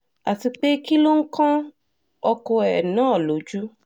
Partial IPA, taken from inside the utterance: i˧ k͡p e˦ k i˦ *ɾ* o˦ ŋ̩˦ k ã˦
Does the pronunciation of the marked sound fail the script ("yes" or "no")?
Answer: yes